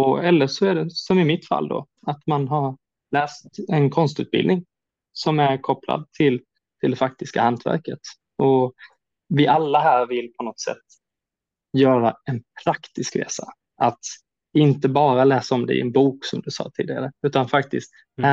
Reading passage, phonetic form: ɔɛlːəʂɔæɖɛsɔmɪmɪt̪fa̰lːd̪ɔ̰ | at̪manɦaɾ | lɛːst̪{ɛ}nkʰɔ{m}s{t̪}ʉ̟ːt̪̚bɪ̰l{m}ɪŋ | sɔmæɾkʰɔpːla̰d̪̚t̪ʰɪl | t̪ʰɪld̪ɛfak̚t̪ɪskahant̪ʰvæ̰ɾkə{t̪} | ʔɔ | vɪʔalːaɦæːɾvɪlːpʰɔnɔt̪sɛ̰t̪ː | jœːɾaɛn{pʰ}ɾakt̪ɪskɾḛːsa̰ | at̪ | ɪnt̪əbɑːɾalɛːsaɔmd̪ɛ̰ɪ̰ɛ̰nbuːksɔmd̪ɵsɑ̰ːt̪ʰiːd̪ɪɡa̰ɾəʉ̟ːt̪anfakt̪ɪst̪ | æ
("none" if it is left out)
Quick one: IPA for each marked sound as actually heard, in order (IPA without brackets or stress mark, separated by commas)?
ɛ, n, t̪, n, t̪, pʰ